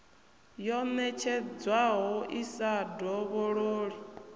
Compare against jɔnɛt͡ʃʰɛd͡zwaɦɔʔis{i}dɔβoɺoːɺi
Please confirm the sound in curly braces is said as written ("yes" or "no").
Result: no